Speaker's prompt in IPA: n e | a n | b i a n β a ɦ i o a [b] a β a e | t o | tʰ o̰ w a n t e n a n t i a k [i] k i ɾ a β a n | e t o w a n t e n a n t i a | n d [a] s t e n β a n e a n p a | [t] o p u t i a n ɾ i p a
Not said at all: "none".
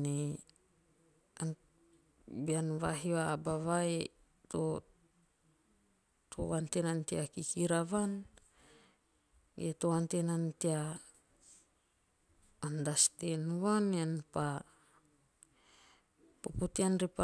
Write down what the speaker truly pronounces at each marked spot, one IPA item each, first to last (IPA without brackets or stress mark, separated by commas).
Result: b, i, a, p